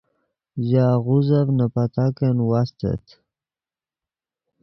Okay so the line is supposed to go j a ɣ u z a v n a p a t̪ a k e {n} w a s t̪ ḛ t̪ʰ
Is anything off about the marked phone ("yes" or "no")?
no